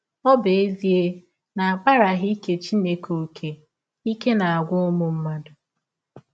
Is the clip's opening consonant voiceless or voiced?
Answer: voiced